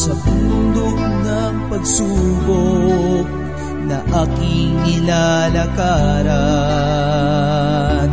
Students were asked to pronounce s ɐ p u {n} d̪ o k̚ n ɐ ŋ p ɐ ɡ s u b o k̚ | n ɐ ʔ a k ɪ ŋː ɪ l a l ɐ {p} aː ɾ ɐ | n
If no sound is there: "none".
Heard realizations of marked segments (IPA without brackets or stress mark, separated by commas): n, k